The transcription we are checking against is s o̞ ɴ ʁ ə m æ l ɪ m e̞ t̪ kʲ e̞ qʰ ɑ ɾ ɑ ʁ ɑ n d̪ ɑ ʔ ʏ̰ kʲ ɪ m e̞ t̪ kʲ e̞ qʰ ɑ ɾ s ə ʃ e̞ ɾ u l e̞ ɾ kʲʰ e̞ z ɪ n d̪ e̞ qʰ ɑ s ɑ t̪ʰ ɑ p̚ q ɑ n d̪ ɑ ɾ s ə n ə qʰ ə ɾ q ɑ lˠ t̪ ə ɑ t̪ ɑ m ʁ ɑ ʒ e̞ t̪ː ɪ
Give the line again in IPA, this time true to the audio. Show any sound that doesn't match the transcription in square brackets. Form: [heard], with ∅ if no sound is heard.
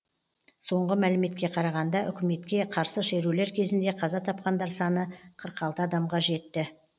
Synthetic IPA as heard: s o̞ ɴ ʁ ə m æ l ɪ m e̞ t̪ kʲ e̞ qʰ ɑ ɾ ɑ ʁ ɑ n d̪ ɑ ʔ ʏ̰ kʲ ɪ m e̞ t̪ kʲ e̞ qʰ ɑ ɾ s ə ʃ e̞ ɾ u l e̞ ɾ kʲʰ e̞ z ɪ n d̪ e̞ qʰ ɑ [z] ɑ t̪ʰ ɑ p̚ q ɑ n d̪ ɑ ɾ s [ɑ] n ə qʰ ə ɾ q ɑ lˠ t̪ ə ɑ [d̪] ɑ m ʁ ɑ ʒ e̞ t̪ː ɪ